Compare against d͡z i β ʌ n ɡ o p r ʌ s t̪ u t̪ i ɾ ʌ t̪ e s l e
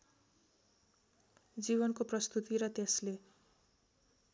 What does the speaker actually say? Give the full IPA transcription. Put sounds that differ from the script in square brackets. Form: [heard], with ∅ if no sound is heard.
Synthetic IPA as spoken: d͡z i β ʌ n [k] o p r ʌ s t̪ u t̪ i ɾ ʌ t̪ e s l e